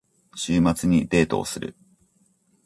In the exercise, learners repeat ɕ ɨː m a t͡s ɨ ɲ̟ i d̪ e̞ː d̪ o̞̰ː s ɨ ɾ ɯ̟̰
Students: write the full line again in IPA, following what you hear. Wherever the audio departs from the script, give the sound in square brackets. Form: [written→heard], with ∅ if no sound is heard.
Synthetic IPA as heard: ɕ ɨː m a t͡s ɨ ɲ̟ i d̪ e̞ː [d̪→t̪] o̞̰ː s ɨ ɾ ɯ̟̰